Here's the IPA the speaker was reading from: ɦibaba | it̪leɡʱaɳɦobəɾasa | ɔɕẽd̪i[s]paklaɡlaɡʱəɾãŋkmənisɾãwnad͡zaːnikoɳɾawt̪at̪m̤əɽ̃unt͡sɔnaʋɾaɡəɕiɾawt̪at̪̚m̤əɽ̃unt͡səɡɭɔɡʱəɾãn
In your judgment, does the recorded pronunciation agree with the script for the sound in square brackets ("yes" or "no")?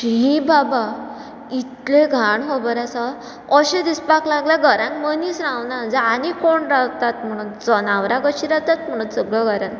yes